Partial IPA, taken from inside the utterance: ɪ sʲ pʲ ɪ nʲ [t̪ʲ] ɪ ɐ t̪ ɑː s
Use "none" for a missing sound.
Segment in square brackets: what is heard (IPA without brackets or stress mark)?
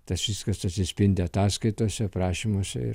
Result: d̪ʲ